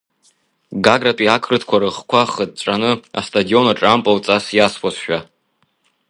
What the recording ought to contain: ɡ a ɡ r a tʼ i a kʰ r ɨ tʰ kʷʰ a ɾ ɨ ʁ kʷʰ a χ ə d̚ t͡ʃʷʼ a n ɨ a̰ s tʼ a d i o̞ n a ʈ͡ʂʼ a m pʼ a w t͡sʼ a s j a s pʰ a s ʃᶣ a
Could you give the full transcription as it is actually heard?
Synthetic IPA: ɡ a ɡ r a tʼ i a kʰ r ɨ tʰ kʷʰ a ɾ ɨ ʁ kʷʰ a χ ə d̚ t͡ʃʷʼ a n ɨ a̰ s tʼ a d i o̞ n a ʈ͡ʂʼ a m pʼ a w t͡sʼ a s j a s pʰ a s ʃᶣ a